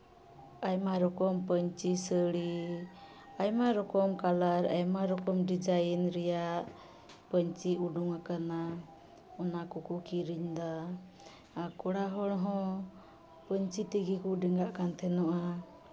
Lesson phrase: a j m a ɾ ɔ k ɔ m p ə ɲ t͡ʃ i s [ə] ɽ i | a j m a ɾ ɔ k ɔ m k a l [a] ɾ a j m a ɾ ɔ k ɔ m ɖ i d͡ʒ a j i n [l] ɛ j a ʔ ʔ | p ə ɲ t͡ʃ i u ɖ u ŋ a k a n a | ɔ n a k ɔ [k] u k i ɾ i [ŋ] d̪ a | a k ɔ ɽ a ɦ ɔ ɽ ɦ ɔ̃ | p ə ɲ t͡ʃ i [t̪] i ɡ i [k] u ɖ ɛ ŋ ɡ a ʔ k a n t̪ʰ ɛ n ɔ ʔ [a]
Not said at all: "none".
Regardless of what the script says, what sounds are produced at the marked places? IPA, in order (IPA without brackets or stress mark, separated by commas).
ə, a, ɾ, k, ɲ, t̪, k, a